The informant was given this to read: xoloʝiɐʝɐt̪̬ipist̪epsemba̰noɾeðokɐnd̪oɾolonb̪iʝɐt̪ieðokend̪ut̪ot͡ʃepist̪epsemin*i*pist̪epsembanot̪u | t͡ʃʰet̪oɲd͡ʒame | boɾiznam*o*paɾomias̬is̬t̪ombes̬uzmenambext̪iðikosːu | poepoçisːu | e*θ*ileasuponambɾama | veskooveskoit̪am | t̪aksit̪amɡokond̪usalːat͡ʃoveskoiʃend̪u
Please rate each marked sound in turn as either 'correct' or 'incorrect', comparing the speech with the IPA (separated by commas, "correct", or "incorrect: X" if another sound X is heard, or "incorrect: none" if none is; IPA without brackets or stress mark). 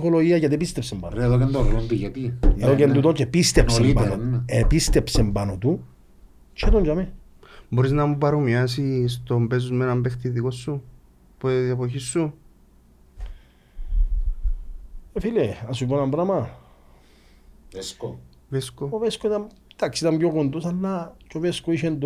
incorrect: e, incorrect: u, incorrect: f